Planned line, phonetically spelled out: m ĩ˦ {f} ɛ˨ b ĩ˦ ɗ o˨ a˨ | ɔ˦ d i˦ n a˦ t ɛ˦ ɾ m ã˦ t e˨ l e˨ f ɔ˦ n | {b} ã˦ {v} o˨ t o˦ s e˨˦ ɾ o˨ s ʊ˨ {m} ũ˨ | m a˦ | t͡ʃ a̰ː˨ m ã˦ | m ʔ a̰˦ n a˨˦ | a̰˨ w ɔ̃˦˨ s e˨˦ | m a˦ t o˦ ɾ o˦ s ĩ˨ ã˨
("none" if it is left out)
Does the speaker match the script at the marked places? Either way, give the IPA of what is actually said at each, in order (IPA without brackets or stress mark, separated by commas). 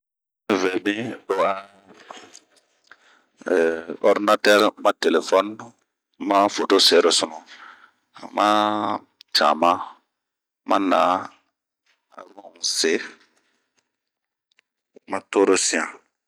v, m, f, n